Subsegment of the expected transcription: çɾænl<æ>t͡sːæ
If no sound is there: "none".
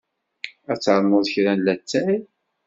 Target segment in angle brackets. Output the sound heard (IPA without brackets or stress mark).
æ